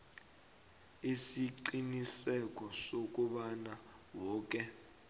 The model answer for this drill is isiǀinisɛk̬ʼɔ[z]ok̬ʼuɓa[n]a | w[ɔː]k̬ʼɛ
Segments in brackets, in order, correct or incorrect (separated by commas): incorrect, correct, correct